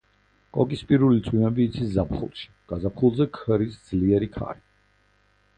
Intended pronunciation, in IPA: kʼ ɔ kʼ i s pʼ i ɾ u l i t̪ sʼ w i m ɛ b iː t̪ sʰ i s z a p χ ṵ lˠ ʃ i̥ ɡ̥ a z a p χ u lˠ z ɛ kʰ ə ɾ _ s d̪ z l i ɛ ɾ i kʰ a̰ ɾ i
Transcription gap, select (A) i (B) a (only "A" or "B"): A